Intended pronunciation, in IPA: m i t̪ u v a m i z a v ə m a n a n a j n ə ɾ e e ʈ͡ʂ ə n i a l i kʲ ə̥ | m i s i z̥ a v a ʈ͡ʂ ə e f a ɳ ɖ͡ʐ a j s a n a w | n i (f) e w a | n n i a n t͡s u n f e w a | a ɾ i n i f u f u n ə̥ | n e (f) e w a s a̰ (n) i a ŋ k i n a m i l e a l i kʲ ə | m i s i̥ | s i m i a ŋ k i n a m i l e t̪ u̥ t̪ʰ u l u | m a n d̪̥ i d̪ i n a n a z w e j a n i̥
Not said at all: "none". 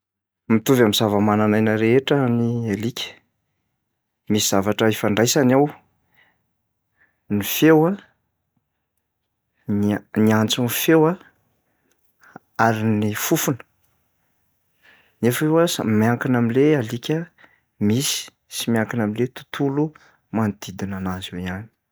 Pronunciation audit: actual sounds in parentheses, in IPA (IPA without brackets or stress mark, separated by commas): f, f, m